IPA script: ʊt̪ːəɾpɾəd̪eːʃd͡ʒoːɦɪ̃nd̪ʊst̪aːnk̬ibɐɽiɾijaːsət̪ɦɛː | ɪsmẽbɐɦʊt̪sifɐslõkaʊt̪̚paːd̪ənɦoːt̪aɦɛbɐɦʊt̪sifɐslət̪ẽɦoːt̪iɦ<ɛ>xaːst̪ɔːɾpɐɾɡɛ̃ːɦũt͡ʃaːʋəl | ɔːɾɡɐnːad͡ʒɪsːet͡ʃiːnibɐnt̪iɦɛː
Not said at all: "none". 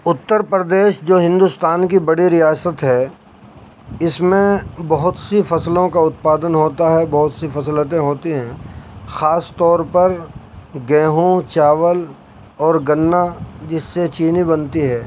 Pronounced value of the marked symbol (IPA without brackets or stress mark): ɛ̃